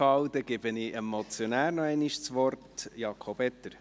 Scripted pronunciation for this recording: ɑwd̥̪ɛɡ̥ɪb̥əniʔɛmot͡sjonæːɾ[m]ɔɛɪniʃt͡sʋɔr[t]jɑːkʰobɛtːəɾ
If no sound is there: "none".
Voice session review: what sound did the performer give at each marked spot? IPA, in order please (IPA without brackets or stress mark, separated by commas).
n, t